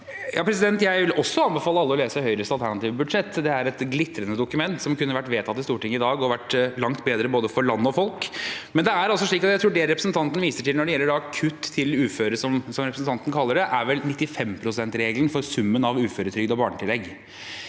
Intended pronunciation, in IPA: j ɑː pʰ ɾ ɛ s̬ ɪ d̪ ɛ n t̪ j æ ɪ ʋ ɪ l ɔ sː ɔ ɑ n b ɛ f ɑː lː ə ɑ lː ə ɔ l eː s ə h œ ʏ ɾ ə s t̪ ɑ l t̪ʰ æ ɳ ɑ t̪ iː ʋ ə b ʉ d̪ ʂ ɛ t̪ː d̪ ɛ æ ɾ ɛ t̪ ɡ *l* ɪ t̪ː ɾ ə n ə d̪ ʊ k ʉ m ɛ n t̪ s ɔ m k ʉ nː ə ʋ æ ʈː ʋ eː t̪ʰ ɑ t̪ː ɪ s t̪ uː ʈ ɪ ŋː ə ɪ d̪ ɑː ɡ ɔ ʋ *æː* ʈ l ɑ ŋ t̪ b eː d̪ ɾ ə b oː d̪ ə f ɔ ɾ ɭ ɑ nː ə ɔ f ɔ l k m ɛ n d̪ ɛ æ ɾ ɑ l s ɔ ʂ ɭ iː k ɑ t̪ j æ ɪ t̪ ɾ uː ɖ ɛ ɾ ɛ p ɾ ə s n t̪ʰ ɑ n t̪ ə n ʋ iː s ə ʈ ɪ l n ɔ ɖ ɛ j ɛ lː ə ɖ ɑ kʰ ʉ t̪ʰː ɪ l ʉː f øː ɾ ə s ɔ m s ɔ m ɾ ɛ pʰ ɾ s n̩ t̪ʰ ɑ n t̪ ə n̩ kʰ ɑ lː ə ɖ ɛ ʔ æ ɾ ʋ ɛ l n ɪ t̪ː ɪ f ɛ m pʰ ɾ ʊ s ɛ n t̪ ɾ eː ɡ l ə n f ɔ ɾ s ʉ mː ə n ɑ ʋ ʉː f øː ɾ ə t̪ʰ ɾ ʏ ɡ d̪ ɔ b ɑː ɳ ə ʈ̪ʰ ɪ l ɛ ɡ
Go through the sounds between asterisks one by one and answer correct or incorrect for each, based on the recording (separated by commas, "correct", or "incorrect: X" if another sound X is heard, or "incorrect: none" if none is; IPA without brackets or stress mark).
correct, incorrect: æ